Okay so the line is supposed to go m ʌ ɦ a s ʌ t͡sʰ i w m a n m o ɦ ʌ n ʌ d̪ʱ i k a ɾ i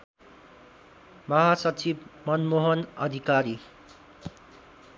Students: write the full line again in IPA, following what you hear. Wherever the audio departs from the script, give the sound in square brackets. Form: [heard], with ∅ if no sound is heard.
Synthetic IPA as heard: m ʌ ɦ a s ʌ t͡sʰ i [b] m [ʌ] n m o ɦ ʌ n ʌ d̪ʱ i k a ɾ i